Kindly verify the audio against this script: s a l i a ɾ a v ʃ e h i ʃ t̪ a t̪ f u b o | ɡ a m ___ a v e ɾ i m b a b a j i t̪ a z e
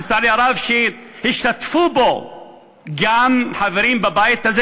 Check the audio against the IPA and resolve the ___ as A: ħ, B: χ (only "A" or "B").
A